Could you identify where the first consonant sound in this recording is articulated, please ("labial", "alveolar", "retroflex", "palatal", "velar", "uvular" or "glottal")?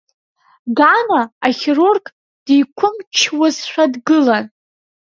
velar